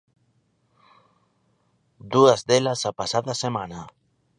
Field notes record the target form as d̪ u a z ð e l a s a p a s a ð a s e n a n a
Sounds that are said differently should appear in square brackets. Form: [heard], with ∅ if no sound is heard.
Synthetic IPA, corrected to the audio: d̪ u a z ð e l a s a p a s a ð a s e [m] a n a